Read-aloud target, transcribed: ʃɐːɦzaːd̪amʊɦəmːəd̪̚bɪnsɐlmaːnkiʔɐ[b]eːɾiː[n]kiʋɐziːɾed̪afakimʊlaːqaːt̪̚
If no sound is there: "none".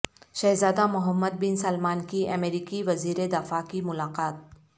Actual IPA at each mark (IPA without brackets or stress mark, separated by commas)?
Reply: m, none